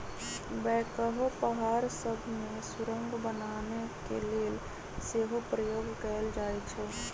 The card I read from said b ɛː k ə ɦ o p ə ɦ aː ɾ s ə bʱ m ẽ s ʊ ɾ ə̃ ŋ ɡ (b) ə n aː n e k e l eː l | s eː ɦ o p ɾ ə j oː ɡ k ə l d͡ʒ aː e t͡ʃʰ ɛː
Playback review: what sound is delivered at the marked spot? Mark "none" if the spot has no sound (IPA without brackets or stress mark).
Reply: b